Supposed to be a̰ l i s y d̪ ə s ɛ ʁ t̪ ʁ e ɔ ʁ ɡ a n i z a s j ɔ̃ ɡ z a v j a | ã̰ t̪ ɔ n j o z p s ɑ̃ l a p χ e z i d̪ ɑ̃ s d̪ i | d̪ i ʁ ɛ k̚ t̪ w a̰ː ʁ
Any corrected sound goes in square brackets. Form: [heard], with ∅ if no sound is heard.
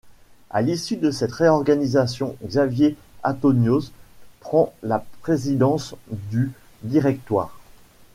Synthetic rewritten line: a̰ l i s y d̪ ə s ɛ [∅] t̪ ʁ e ɔ ʁ ɡ a n i z a s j ɔ̃ ɡ z a v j [e] | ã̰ t̪ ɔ n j o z p [χ] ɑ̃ l a p χ e z i d̪ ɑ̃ s d̪ [y] | d̪ i ʁ ɛ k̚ t̪ w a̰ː ʁ

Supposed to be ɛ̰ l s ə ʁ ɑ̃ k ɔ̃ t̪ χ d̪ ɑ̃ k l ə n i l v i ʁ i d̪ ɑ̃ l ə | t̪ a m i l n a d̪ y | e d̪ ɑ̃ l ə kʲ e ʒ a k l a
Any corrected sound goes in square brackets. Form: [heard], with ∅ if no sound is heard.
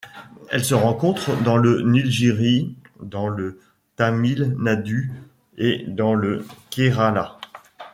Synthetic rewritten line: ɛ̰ l s ə ʁ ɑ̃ k ɔ̃ t̪ χ d̪ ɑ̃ [∅] l ə n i l [ʒ] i ʁ i d̪ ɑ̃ l ə | t̪ a m i l n a d̪ y | e d̪ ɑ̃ l ə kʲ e [ʁ] a [∅] l a

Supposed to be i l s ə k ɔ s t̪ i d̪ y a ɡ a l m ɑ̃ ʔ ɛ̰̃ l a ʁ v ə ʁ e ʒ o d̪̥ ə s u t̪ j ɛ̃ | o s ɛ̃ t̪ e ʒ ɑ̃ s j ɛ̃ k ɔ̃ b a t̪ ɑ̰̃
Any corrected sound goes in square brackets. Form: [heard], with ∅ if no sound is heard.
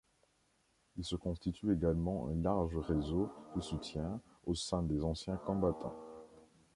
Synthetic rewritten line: i l s ə k [ɔ̃] s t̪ i [t̪] y [e] ɡ a l m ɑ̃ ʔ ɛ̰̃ l a ʁ [ʒ] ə ʁ e [z] o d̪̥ ə s u t̪ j ɛ̃ | o s ɛ̃ [d̪] e [z] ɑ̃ s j ɛ̃ k ɔ̃ b a t̪ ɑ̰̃

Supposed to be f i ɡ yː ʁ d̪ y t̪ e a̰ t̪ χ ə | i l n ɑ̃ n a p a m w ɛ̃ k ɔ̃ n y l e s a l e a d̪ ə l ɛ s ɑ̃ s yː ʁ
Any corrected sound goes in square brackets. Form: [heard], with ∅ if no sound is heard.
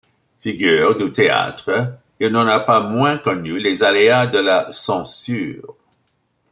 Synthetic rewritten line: f i ɡ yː ʁ d̪ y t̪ e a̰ t̪ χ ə | i l n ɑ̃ n a p a m w ɛ̃ k [ɔ] n y l e [z] a l e a d̪ ə l [a] s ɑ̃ s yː ʁ

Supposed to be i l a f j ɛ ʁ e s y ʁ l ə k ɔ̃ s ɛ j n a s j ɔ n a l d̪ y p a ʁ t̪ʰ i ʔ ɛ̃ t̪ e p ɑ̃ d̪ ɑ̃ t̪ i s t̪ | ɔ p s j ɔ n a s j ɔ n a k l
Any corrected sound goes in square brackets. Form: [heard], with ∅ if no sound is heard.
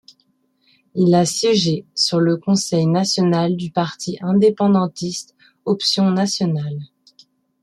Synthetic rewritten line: i l a [s] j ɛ [ʒ] e s y ʁ l ə k ɔ̃ s ɛ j n a s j ɔ n a l d̪ y p a ʁ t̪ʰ i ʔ ɛ̃ [d̪] e p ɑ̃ d̪ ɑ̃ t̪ i s t̪ | ɔ p s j [ɔ̃] n a s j ɔ n a [∅] l

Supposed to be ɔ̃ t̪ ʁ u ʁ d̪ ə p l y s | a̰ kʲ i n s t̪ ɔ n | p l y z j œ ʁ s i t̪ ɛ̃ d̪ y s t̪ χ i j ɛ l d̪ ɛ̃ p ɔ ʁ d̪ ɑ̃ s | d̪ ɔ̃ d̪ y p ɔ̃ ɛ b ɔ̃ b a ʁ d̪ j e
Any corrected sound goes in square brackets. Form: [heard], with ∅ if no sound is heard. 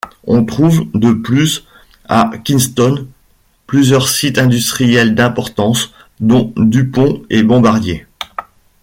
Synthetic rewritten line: ɔ̃ t̪ [χ] u [v] d̪ ə p l y s | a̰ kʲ i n s t̪ ɔ n | p l y z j œ ʁ s i t̪ ɛ̃ d̪ y s t̪ χ i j ɛ l d̪ ɛ̃ p ɔ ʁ [t̪] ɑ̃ s | d̪ ɔ̃ d̪ y p ɔ̃ ɛ b ɔ̃ b a ʁ d̪ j e

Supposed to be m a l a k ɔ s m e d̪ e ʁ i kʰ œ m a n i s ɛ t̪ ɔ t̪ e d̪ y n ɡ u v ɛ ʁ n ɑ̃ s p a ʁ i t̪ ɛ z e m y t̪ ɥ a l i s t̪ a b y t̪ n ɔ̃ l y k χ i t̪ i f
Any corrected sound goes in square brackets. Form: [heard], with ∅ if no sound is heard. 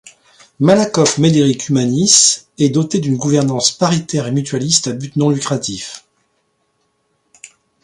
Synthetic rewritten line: m a l a k ɔ [f] m e d̪ e ʁ i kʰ [y] m a n i s ɛ [d̪] ɔ t̪ e d̪ y n ɡ u v ɛ ʁ n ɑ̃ s p a ʁ i t̪ ɛ [ʁ] e m y t̪ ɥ a l i s t̪ a b y t̪ n ɔ̃ l y k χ [a] t̪ i f

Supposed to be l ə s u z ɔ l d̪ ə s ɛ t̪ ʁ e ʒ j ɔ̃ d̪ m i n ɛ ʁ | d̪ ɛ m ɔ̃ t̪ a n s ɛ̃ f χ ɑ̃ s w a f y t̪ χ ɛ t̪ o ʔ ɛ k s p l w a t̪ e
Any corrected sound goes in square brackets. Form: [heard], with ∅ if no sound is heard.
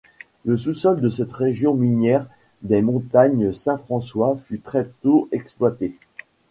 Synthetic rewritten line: l ə s u [s] ɔ l d̪ ə s ɛ t̪ ʁ e ʒ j ɔ̃ [∅] m i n ɛ ʁ | d̪ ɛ m ɔ̃ t̪ a [ɲ] s ɛ̃ f χ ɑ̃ s w a f y t̪ χ ɛ t̪ o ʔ ɛ k s p l w a t̪ e

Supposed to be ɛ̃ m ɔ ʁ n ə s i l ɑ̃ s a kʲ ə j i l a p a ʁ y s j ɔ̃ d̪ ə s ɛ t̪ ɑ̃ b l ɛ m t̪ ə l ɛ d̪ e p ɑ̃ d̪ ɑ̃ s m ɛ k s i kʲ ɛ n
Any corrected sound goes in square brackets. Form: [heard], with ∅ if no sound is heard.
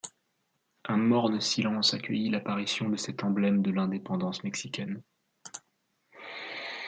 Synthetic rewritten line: ɛ̃ m ɔ ʁ n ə s i l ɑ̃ s a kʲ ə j i l a p a ʁ [i] s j ɔ̃ d̪ ə s ɛ t̪ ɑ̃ b l ɛ m [d̪] ə l [ɛ̃] d̪ e p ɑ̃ d̪ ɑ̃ s m ɛ k s i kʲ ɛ n

